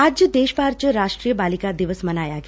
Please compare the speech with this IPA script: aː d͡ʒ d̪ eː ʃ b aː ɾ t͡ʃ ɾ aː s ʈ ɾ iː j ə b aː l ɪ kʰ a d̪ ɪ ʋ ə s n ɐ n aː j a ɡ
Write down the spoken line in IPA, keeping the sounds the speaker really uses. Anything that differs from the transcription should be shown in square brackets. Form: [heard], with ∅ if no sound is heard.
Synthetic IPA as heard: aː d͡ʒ d̪ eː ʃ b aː ɾ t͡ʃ ɾ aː [ʃ] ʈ ɾ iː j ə b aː l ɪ [k] a d̪ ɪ ʋ ə s [m] ɐ n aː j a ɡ